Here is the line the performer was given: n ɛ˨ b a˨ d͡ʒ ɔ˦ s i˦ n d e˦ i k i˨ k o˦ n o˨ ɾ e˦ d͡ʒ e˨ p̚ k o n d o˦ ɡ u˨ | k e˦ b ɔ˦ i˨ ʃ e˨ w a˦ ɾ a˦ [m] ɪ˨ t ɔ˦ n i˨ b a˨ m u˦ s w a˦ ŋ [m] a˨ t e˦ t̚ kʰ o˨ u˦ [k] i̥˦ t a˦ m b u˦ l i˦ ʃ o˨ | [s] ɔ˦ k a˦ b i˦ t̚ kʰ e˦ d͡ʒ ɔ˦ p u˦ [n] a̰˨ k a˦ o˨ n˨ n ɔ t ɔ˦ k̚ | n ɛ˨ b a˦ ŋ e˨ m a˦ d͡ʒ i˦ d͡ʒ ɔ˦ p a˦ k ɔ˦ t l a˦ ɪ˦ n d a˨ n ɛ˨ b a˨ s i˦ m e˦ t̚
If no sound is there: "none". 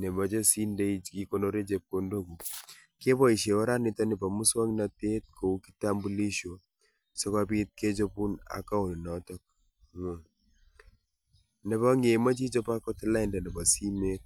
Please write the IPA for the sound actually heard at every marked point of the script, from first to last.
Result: n, n, k, s, n

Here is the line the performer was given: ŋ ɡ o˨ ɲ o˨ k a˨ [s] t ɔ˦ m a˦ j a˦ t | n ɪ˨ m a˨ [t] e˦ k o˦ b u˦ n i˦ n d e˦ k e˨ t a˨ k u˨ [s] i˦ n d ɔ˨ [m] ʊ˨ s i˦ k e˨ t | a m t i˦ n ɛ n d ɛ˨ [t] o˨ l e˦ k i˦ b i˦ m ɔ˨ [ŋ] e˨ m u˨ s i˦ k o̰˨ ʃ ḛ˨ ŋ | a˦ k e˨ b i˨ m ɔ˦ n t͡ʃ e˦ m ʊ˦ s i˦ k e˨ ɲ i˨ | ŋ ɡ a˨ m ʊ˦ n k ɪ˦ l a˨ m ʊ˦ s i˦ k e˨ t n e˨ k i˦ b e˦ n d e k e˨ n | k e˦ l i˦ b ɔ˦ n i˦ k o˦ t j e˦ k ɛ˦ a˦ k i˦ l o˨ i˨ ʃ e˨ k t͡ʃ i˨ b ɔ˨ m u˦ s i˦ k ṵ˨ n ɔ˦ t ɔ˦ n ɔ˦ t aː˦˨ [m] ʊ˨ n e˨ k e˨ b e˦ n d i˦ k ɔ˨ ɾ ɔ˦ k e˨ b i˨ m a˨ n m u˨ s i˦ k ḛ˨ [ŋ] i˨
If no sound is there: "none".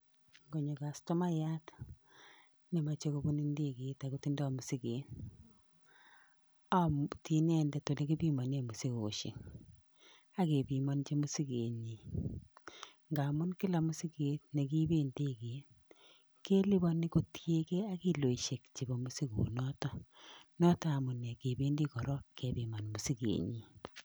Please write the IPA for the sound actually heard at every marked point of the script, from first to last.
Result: s, t͡ʃ, t, m, t, n, m, ɲ

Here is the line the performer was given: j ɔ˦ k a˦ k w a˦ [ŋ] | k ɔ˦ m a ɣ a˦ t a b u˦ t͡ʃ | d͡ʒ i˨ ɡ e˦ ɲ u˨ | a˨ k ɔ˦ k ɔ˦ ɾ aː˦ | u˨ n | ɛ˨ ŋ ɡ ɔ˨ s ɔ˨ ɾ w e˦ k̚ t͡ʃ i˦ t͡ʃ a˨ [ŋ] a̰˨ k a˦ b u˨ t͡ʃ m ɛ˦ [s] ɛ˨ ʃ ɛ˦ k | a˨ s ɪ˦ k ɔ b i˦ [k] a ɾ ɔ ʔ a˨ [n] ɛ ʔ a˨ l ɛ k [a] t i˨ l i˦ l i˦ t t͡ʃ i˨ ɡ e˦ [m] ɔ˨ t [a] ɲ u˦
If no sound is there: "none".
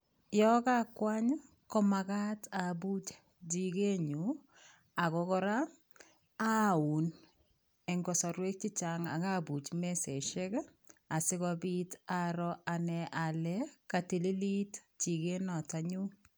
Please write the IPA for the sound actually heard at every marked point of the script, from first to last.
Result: ɲ, ŋ, s, t, n, a, n, a

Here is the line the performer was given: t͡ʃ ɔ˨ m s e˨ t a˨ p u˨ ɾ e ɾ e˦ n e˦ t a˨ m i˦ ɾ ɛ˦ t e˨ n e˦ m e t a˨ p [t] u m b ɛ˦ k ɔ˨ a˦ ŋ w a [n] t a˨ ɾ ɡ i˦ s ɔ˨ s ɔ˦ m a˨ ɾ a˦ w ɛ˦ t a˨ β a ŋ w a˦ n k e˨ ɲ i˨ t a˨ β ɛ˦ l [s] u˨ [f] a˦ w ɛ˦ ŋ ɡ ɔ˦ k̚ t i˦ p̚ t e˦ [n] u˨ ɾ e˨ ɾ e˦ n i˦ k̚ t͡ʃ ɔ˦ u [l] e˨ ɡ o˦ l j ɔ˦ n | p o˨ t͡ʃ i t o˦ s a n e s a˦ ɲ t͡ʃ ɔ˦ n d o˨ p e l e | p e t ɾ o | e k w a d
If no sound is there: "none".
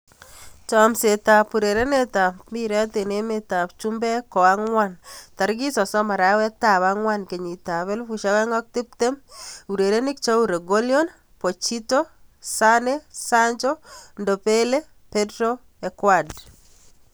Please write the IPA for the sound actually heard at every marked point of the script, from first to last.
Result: t͡ʃ, n, f, ʃ, m, ɾ

